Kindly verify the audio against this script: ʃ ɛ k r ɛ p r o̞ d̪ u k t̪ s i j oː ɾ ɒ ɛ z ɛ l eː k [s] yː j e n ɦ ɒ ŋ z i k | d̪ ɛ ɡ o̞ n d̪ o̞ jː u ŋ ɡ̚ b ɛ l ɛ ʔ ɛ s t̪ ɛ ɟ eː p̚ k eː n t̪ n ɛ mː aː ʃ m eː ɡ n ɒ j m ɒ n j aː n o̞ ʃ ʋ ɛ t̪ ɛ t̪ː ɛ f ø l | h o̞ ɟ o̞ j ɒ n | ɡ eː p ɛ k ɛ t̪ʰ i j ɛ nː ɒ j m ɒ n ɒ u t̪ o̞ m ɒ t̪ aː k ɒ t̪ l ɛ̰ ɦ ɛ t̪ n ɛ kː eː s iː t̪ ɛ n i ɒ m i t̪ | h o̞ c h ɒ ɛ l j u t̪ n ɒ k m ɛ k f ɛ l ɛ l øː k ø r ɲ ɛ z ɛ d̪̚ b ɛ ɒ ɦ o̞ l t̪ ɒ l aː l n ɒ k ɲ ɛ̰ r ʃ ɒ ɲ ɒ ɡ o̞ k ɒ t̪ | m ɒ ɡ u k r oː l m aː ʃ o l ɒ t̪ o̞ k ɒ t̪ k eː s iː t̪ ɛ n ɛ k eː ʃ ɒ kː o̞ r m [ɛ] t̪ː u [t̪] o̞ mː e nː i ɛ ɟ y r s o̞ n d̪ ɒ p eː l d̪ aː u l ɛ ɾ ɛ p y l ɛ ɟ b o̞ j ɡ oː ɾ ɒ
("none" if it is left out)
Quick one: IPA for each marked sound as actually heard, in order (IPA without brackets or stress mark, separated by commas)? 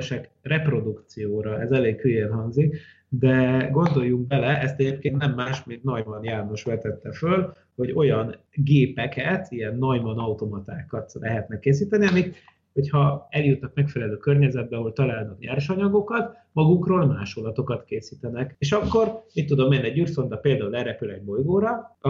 h, i, d̪